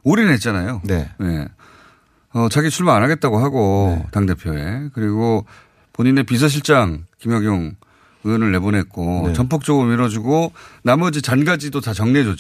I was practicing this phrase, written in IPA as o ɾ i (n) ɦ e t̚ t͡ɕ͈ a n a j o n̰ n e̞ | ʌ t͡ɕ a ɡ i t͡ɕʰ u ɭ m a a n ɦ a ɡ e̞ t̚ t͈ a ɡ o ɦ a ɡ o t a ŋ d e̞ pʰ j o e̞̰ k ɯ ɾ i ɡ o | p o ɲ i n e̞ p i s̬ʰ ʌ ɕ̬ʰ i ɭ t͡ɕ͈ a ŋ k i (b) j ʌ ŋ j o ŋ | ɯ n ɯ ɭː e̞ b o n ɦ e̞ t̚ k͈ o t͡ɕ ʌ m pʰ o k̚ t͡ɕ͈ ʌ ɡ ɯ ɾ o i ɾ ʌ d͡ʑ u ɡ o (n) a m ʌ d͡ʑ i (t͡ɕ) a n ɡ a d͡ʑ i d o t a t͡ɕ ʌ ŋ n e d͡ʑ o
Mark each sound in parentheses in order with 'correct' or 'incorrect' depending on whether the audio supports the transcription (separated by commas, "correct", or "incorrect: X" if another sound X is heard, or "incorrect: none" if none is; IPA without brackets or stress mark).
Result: correct, incorrect: m, correct, correct